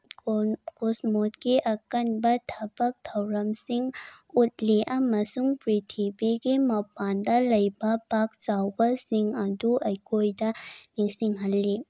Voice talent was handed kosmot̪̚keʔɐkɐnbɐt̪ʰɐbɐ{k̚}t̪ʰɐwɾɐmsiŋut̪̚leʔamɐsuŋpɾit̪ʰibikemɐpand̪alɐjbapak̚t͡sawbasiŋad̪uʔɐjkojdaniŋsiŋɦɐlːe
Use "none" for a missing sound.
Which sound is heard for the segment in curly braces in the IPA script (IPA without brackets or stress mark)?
k̚